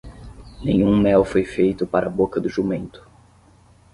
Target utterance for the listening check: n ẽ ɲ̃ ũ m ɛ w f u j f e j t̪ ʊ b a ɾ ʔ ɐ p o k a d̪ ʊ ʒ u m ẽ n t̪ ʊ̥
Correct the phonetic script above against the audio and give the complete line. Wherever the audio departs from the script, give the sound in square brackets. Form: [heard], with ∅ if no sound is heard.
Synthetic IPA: n ẽ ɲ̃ ũ m ɛ w f [o] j f e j t̪ ʊ [p] a ɾ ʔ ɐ [b] o k [ɐ] d̪ ʊ ʒ u m ẽ n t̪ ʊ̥